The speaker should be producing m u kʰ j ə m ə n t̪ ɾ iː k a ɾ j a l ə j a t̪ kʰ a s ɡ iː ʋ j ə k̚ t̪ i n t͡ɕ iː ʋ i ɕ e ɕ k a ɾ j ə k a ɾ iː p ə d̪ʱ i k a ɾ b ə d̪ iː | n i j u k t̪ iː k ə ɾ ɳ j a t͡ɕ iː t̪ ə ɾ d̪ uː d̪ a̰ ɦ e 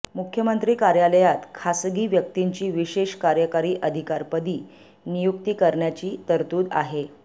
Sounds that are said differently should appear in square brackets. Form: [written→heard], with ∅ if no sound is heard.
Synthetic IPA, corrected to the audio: m u kʰ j ə m ə n t̪ ɾ iː k a ɾ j a l ə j a t̪ kʰ a s ɡ iː ʋ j ə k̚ t̪ i [n→ɲ] t͡ɕ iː ʋ i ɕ e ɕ k a ɾ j ə k a ɾ iː [p→ʔ] ə d̪ʱ i k a ɾ [b→p] ə d̪ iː | n i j u k t̪ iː k ə ɾ ɳ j a t͡ɕ iː t̪ ə ɾ [d̪→t̪] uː d̪ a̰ ɦ e

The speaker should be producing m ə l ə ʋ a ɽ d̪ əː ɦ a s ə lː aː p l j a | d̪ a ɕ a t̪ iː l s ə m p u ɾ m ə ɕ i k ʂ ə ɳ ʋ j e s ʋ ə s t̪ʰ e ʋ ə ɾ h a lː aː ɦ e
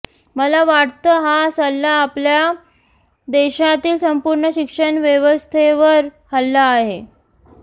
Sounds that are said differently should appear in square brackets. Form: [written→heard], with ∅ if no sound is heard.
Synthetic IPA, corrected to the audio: m ə l [ə→a] ʋ a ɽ [d̪→t̪] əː ɦ a s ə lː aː p l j a | d̪ [a→e] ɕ a t̪ iː l s ə m p u ɾ [m→ɳ] ə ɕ i k ʂ ə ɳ ʋ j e [s→∅] ʋ ə s t̪ʰ e ʋ ə ɾ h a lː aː ɦ e

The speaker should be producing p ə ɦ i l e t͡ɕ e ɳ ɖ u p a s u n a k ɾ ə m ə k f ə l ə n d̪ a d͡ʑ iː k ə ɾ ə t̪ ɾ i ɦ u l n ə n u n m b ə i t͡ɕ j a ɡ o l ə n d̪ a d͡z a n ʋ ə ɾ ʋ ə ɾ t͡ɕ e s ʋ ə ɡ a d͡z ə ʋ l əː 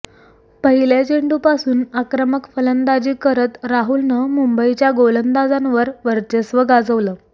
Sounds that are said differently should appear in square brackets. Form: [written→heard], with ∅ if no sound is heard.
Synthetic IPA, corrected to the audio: p ə ɦ i l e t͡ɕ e ɳ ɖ u p a s [u→uː] n a k ɾ ə m ə k f ə l ə n d̪ a d͡ʑ iː k ə ɾ ə t̪ ɾ [i→a] ɦ u l n ə [n→m] u [n→∅] m b ə i t͡ɕ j a ɡ o l ə n d̪ a d͡z a n ʋ ə ɾ ʋ ə ɾ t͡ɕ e s ʋ ə ɡ a d͡z ə ʋ l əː

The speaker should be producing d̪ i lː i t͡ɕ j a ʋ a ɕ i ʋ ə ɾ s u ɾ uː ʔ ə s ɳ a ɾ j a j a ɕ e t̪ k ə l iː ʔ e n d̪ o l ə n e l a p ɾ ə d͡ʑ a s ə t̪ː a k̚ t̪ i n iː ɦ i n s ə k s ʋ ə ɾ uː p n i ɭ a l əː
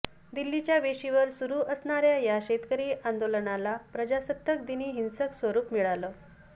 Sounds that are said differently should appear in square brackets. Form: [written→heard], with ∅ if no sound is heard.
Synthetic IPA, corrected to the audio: d̪ i lː i t͡ɕ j a ʋ [a→e] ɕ i ʋ ə ɾ s u ɾ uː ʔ ə s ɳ a ɾ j a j a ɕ e t̪ k ə [l→ɾ] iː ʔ [e→a] n d̪ o l ə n [e→a] l a p ɾ ə d͡ʑ a s ə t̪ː [a→ə] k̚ [t̪→d̪] i n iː ɦ i n s ə k s ʋ ə ɾ uː p [n→m] i ɭ a l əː

